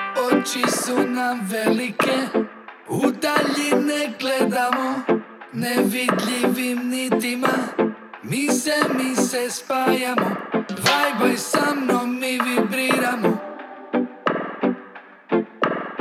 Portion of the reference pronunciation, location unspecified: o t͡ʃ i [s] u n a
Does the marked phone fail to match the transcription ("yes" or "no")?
no